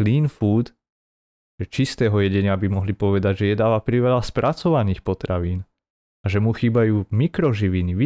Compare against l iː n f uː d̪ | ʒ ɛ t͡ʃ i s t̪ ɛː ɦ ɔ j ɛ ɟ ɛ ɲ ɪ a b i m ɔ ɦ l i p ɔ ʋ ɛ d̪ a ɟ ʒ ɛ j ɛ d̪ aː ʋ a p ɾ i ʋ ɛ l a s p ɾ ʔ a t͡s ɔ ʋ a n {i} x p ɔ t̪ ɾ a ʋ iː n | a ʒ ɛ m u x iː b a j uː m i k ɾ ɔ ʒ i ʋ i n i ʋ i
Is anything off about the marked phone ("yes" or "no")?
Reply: yes